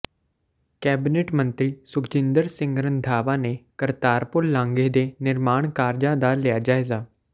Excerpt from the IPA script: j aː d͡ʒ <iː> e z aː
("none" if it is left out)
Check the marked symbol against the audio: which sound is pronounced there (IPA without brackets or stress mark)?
aː